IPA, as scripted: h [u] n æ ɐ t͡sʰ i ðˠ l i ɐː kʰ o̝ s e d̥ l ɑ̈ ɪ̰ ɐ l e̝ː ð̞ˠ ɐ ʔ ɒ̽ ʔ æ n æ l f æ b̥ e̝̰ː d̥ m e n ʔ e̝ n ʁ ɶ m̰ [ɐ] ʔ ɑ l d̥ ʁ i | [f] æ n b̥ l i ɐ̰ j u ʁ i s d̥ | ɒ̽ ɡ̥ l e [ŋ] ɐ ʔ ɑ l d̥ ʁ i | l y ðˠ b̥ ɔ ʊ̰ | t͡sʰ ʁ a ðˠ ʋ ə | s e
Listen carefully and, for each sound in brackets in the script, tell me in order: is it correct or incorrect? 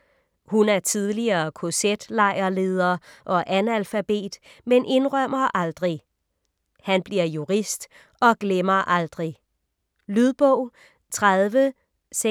correct, correct, incorrect: h, incorrect: m

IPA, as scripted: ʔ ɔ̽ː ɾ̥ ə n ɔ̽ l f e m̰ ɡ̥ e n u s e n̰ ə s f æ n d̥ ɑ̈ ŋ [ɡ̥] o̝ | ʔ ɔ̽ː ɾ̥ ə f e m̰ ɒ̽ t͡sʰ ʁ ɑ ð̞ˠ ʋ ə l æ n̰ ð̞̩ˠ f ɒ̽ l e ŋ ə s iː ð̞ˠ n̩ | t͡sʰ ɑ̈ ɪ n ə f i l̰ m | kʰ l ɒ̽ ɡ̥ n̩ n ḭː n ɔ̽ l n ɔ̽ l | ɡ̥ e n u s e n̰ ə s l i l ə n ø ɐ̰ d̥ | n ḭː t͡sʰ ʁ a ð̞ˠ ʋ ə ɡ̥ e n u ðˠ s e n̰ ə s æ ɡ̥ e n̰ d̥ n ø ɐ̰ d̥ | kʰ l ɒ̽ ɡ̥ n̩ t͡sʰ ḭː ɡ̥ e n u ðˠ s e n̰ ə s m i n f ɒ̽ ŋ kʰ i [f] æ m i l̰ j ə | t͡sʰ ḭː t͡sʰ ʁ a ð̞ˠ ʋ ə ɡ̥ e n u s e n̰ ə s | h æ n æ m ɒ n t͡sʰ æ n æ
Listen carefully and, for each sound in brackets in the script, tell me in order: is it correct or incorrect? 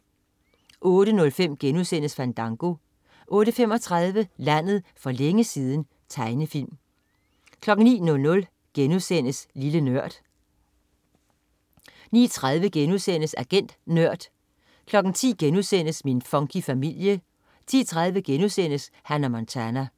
correct, correct

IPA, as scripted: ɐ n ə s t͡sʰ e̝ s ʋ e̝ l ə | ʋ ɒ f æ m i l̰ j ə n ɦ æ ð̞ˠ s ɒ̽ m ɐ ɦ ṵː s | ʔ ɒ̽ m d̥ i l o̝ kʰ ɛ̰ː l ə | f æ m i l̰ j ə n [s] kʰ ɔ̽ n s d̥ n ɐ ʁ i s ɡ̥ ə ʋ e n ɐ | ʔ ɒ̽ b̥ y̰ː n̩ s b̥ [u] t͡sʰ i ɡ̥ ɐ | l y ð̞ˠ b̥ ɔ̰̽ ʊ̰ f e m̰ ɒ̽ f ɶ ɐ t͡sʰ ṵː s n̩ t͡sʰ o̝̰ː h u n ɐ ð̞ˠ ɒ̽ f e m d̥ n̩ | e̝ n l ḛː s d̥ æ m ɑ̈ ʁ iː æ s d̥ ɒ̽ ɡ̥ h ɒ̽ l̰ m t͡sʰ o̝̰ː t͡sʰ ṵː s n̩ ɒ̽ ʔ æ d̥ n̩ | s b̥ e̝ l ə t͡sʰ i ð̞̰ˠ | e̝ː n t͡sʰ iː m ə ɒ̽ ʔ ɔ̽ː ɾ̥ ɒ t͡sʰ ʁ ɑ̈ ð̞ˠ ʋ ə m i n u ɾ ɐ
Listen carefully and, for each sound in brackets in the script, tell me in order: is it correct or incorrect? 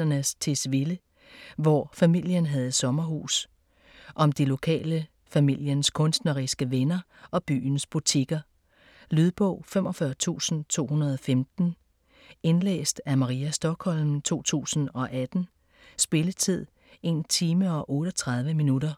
correct, correct

